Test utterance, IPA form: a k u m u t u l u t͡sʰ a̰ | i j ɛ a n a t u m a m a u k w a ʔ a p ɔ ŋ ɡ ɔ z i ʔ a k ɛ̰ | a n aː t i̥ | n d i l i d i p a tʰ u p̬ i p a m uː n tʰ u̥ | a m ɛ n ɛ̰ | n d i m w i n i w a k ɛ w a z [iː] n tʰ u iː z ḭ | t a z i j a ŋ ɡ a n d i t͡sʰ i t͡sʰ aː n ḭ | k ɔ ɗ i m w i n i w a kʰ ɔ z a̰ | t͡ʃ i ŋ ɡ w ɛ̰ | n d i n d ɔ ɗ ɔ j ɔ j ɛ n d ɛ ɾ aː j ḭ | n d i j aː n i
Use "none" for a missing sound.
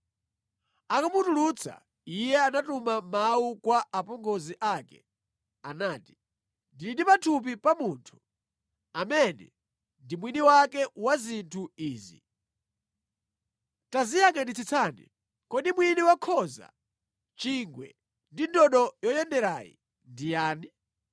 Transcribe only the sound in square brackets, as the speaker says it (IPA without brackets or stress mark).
i